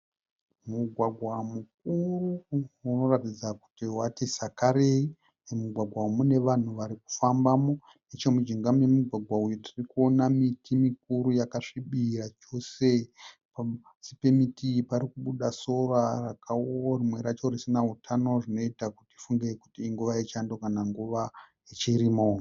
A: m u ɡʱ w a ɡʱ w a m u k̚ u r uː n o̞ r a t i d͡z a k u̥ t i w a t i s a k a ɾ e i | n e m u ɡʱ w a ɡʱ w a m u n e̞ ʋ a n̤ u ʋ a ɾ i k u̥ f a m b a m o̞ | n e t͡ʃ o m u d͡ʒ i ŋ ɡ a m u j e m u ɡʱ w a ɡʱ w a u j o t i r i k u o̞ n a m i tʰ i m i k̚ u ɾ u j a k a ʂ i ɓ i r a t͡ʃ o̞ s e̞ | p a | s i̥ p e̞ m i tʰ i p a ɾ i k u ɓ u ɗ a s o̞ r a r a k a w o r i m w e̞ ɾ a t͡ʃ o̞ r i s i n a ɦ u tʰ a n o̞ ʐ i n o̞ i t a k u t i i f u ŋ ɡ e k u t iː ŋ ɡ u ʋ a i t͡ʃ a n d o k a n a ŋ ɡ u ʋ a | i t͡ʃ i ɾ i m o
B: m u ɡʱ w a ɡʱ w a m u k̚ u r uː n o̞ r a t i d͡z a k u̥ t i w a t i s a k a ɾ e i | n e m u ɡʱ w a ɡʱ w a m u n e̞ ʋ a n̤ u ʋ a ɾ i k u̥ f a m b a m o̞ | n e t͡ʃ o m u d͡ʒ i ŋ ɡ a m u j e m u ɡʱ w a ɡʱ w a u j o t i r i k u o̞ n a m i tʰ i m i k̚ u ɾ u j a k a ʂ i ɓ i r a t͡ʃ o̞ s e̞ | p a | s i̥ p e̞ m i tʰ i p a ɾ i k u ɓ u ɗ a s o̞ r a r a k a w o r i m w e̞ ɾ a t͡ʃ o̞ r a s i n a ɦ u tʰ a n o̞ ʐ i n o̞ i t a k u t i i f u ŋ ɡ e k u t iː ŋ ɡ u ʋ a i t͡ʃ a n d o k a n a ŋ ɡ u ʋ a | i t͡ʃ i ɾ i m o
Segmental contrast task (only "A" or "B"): A